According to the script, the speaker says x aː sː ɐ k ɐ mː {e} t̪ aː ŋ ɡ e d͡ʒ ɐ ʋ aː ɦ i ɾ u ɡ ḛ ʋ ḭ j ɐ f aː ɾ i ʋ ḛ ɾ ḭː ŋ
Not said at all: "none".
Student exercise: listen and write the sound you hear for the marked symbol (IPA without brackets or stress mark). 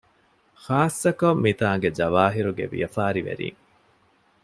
i